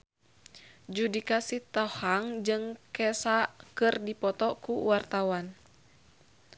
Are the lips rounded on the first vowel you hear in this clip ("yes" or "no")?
yes